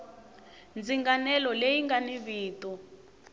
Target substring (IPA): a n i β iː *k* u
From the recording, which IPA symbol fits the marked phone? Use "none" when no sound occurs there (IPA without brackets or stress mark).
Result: t